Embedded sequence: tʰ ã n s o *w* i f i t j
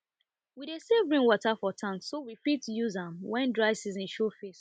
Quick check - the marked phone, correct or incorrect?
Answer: correct